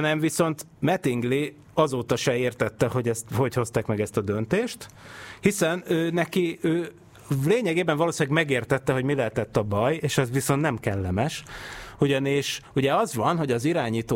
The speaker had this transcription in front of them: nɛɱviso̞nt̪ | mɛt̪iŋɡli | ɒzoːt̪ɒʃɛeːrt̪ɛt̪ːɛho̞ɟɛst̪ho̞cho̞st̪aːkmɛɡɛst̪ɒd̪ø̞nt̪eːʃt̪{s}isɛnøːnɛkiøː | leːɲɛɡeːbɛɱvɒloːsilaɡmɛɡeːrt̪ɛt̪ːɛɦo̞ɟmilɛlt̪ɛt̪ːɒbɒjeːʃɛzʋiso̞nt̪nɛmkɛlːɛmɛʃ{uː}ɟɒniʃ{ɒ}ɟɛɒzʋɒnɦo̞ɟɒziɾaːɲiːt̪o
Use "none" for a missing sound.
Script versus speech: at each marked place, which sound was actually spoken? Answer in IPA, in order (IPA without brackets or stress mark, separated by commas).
h, u, u